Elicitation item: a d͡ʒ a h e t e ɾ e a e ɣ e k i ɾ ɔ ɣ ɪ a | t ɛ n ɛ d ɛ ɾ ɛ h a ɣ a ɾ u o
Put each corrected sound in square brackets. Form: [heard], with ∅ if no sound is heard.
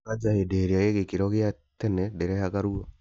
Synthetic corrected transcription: a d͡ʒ a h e [d] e ɾ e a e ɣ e k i ɾ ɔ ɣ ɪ a | t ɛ n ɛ d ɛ ɾ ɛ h a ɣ a ɾ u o